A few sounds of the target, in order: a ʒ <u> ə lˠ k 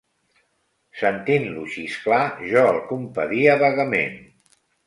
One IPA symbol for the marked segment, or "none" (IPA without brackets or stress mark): ɔ